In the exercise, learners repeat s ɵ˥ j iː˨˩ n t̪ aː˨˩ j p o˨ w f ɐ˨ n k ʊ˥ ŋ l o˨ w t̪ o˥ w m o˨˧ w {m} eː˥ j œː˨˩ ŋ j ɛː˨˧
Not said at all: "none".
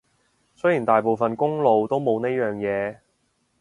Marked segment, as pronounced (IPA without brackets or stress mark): n